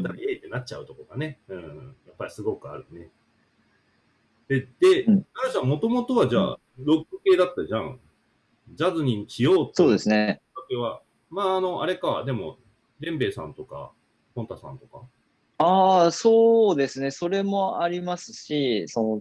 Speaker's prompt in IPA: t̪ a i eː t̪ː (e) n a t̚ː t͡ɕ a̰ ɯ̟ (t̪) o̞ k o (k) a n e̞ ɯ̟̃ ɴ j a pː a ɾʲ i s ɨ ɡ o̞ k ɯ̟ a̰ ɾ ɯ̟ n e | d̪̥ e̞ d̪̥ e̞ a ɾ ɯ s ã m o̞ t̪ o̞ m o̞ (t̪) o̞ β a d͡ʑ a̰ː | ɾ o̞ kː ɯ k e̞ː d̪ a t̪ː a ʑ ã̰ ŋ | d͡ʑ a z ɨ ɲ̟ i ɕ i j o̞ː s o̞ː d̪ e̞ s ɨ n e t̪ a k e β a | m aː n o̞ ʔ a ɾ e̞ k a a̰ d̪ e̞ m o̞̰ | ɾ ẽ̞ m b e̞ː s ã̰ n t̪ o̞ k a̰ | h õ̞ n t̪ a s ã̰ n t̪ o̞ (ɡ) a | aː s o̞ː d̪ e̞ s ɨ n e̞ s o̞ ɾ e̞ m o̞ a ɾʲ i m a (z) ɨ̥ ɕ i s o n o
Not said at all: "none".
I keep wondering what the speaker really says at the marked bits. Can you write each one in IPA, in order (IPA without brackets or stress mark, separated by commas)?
e, t̪, ɡ, t̪, k, s